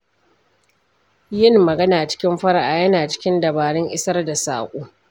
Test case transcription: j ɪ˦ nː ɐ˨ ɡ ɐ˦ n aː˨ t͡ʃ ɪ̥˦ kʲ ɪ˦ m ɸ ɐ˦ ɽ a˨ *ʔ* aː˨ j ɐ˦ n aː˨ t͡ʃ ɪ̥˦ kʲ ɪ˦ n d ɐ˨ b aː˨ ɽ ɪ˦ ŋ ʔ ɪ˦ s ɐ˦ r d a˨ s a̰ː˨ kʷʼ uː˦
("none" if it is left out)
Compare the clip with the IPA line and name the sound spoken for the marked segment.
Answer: ʔ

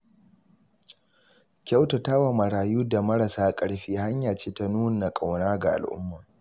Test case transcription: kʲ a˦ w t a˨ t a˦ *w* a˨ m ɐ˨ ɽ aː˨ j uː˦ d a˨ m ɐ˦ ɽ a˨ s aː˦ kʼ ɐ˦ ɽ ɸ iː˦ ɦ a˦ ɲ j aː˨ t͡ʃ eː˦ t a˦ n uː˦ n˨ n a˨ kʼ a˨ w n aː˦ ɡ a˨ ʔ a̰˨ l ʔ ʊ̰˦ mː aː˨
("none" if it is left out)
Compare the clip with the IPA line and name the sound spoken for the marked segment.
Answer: w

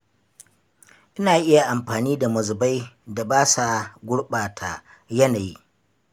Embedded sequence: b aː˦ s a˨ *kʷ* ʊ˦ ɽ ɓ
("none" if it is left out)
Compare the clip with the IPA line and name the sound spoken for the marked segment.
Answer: ɡʷ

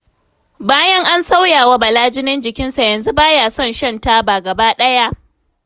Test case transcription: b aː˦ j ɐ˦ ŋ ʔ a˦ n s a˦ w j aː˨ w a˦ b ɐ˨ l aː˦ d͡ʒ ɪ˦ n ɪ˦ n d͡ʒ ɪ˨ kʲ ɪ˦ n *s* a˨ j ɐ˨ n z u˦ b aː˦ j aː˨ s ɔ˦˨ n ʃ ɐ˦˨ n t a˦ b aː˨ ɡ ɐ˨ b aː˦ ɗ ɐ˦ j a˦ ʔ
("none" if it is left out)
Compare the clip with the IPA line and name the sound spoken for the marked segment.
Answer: s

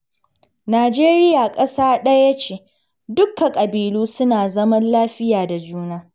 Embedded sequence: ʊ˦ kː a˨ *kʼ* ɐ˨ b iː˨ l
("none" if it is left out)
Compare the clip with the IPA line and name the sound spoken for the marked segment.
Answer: kʼ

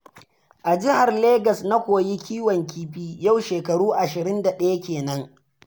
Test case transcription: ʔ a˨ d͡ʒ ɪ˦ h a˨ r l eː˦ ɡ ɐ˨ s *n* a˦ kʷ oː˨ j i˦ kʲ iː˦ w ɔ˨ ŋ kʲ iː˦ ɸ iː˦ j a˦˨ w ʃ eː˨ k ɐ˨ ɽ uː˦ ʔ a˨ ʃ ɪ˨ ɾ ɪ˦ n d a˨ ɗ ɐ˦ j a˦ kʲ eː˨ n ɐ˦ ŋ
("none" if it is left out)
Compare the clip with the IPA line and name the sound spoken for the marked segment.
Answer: n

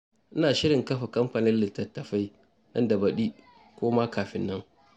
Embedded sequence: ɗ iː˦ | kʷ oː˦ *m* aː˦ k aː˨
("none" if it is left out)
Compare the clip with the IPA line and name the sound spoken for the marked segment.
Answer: m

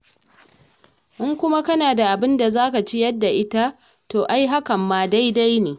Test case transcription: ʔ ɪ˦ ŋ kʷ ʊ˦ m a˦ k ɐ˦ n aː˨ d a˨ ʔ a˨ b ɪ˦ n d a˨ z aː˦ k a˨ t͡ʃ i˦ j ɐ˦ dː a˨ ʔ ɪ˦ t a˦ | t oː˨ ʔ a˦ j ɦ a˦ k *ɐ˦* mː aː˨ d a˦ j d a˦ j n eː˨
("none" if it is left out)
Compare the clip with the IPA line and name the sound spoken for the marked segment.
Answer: ɐ˨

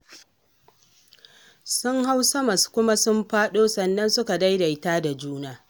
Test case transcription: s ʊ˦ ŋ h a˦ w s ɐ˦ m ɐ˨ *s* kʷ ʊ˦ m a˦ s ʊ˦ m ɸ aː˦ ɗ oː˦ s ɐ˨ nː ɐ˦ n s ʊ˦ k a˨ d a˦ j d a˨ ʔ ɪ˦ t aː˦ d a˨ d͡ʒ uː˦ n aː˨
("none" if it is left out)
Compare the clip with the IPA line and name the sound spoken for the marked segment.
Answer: s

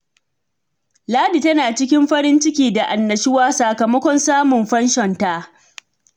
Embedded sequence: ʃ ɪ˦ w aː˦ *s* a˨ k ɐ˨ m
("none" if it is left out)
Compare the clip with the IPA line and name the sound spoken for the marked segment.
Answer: s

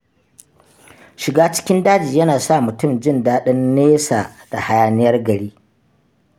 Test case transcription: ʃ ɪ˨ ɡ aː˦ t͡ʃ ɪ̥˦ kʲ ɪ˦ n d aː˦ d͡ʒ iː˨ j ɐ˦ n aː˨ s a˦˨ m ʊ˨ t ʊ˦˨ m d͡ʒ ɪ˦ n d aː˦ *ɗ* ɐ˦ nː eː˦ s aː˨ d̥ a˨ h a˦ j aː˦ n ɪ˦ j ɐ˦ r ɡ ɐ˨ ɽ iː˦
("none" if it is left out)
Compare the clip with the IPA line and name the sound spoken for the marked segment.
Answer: ɗ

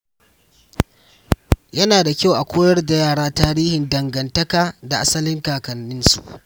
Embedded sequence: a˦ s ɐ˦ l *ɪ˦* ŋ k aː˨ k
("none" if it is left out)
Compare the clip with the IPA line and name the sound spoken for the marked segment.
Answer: ɪ˦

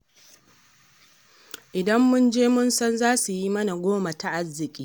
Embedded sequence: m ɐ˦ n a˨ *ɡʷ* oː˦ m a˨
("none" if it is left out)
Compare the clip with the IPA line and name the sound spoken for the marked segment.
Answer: ɡʷ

